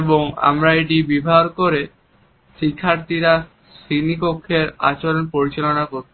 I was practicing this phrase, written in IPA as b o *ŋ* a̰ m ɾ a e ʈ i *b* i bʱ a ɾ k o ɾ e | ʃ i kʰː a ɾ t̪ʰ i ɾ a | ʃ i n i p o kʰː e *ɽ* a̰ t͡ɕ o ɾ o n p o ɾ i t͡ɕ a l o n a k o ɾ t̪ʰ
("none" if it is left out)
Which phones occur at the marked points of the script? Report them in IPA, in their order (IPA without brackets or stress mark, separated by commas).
ŋ, b, ɾ